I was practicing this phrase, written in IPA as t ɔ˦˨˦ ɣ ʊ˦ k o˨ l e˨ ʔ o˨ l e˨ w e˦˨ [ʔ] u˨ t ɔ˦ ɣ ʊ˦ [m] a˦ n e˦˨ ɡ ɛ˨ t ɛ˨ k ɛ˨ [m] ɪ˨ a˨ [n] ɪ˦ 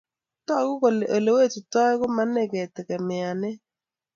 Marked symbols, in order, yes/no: no, yes, yes, yes

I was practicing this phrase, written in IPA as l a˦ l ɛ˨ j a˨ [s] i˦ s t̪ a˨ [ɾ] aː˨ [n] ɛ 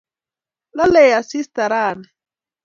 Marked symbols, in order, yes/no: yes, yes, yes

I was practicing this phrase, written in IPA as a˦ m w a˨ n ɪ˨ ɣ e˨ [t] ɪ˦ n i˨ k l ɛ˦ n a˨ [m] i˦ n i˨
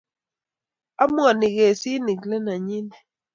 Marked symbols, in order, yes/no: no, no

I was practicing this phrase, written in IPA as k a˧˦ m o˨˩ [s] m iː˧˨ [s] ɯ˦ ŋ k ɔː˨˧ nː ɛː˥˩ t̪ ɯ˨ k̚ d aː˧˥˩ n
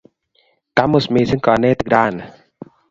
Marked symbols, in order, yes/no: yes, yes

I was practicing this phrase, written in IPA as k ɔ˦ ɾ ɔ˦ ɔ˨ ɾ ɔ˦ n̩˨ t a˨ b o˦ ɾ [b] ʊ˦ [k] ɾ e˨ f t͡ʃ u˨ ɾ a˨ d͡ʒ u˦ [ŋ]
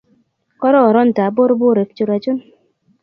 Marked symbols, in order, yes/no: yes, no, no

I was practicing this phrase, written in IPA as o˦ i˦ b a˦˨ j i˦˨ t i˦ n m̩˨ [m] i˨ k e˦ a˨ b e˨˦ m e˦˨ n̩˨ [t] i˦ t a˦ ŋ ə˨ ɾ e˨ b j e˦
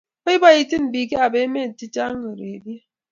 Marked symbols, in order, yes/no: no, yes

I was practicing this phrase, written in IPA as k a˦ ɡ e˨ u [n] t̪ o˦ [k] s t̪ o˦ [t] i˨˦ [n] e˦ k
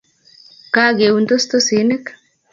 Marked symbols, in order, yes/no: yes, no, no, yes

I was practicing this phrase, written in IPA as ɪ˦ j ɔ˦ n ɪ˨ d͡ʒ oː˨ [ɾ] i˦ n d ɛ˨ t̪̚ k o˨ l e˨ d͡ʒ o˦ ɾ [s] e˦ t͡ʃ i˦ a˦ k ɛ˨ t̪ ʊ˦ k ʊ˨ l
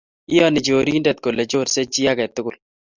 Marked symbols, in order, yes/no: yes, yes

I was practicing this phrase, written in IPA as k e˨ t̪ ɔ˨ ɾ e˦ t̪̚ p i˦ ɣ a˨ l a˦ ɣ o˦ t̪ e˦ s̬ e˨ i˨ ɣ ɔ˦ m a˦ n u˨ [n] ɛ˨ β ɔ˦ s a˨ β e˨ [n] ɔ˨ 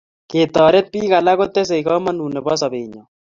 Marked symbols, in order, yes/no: yes, no

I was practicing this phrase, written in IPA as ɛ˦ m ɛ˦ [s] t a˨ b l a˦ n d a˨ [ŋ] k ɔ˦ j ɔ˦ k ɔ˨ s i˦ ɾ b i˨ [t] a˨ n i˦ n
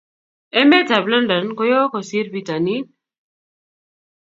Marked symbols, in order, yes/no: no, no, yes

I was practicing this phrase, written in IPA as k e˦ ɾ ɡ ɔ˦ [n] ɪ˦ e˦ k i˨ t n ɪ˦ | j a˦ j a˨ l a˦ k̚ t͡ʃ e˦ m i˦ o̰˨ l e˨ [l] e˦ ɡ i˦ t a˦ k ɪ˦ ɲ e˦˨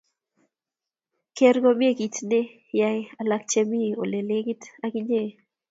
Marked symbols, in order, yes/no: no, yes

